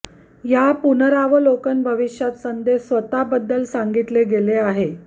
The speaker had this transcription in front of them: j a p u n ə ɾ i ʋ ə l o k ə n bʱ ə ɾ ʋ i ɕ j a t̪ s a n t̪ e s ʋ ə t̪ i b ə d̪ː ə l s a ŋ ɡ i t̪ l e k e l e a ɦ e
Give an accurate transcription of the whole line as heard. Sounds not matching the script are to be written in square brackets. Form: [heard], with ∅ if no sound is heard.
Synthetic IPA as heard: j a p u n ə ɾ [a] ʋ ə l o k ə n bʱ ə [∅] ʋ i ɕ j a t̪ s [ə] n [d̪] e s ʋ ə t̪ [a] b ə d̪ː ə l s a ŋ ɡ i t̪ l e [ɡ] e l e a ɦ e